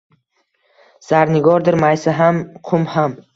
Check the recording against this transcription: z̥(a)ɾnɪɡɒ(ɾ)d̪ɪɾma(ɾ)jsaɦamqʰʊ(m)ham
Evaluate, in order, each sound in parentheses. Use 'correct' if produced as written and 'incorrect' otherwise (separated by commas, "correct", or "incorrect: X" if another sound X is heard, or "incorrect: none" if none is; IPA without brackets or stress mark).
correct, correct, incorrect: none, correct